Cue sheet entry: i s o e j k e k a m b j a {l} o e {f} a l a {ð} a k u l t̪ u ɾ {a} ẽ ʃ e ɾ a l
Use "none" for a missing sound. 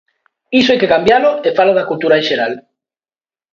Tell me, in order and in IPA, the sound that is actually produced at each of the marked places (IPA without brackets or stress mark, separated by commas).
l, f, ð, a